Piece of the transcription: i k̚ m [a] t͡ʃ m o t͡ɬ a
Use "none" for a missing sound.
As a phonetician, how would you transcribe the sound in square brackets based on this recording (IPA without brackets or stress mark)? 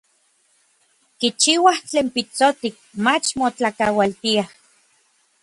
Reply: a